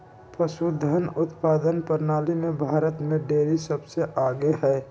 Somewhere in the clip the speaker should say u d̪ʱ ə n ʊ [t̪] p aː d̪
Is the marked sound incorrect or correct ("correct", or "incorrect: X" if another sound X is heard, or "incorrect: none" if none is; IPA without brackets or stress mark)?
correct